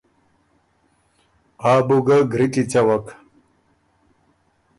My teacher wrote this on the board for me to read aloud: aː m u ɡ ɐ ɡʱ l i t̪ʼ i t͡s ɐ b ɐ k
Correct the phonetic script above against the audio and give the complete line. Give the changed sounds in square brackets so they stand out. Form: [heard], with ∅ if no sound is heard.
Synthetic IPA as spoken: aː [b] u ɡ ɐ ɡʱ [ɾ] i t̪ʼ i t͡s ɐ [w] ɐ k